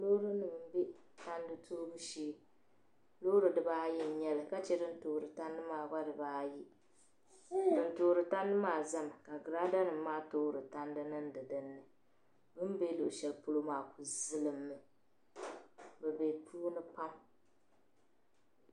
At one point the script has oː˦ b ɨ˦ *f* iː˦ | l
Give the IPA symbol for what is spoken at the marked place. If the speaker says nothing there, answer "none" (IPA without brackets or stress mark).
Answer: ʃ